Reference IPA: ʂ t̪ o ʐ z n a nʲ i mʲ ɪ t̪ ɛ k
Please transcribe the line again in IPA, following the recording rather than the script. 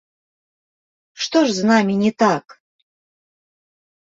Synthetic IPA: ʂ t̪ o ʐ z n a mʲ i nʲ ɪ t̪ a k